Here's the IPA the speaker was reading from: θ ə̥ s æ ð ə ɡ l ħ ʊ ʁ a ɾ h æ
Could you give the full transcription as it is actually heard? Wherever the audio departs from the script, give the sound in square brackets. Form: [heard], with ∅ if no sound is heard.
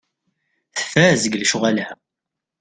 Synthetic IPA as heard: θ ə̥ [f] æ [z] ə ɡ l [ʃ] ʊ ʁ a [l] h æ